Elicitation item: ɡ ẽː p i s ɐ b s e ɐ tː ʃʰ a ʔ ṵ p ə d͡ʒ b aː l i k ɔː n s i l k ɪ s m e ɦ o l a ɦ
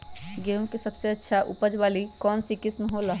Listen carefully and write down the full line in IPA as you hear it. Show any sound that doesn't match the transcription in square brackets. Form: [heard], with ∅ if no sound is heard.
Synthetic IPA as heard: ɡ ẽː [k] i s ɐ b s e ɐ tː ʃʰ a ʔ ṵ p ə d͡ʒ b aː l i k ɔː n s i [∅] k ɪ s m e ɦ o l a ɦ